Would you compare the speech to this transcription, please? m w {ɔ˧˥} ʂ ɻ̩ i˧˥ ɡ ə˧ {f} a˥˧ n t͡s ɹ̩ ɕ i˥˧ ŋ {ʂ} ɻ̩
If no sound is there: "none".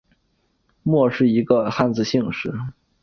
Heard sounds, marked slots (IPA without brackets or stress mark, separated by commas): ɔ˥˧, x, ʂ